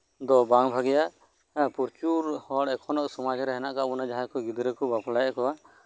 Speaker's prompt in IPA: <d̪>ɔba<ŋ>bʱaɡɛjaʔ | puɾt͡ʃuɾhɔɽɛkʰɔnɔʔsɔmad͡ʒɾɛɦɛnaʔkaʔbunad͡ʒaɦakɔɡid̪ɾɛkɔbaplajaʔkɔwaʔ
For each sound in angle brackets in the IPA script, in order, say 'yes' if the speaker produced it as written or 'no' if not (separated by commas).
yes, yes